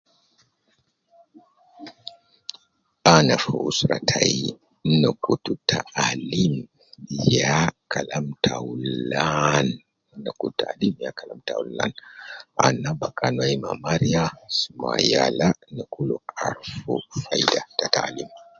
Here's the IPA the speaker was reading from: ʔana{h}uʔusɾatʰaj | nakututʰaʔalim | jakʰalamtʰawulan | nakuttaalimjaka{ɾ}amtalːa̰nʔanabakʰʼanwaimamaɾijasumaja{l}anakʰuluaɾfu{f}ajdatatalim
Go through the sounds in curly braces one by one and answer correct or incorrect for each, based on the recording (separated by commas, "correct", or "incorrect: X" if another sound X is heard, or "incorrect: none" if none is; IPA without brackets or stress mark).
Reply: incorrect: f, incorrect: l, correct, correct